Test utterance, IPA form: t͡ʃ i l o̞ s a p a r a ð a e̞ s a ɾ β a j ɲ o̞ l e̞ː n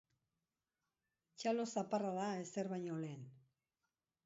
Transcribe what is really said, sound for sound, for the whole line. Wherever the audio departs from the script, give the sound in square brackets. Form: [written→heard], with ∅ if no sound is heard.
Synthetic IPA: t͡ʃ [i→a] l o̞ s a p a r a ð a e̞ s [a→e] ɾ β a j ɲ o̞ l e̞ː n